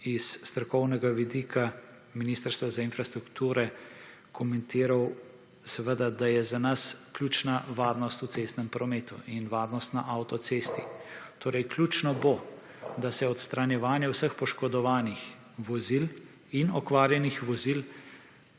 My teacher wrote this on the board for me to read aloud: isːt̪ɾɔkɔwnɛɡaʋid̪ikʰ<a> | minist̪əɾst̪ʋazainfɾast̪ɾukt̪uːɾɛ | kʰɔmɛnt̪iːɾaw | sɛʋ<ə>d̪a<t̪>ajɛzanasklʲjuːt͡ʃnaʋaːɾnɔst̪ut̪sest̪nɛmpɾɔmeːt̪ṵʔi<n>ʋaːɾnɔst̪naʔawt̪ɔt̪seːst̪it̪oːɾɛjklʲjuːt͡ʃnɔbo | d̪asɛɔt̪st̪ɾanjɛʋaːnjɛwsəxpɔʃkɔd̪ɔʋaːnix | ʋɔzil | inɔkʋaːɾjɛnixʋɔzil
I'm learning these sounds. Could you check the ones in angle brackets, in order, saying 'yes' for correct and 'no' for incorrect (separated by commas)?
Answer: yes, yes, no, yes